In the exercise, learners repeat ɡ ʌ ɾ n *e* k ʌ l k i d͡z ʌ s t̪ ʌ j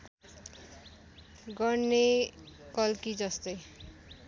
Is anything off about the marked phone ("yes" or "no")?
no